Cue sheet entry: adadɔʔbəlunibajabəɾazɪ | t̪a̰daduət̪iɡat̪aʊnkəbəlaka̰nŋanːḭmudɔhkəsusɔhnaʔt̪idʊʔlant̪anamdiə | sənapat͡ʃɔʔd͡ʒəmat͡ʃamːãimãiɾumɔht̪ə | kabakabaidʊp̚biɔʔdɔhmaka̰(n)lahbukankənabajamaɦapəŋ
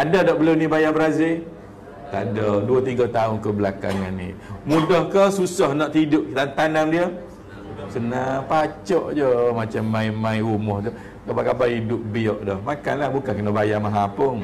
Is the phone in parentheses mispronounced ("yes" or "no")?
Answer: no